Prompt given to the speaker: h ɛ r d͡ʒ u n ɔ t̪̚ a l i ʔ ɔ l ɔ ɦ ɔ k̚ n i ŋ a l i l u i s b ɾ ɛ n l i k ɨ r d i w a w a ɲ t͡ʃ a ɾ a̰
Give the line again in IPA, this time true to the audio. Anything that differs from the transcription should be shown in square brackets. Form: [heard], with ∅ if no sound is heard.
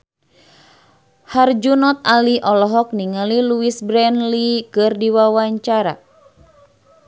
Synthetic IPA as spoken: h [a] r d͡ʒ u n ɔ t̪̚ a l i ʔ ɔ l ɔ ɦ ɔ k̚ n i ŋ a l i l u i s b ɾ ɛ n l i k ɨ r d i w a w a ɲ t͡ʃ a ɾ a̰